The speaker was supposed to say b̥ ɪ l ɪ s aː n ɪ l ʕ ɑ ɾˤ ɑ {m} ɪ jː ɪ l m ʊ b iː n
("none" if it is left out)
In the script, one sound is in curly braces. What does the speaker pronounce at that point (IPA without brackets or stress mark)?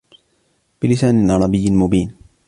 b